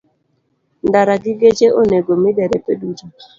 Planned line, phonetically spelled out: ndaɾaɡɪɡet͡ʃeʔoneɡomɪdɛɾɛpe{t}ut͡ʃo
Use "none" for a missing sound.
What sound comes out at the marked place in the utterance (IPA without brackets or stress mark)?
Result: d